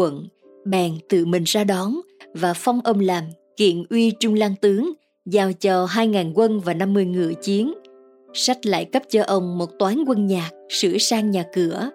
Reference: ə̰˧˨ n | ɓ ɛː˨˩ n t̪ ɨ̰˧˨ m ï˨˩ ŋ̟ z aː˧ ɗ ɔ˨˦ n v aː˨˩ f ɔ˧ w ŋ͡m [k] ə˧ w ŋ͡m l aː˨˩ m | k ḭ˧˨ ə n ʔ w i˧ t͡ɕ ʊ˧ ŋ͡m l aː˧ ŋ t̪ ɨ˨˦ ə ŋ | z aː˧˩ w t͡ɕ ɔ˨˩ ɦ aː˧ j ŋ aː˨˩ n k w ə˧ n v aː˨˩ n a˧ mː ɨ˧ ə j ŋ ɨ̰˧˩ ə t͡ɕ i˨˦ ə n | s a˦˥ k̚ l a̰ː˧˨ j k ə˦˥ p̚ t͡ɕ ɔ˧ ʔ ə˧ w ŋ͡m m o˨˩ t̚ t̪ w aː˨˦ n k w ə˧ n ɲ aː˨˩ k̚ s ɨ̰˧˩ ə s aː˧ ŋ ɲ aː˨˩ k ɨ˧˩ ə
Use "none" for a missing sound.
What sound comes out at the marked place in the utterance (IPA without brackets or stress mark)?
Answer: ʔ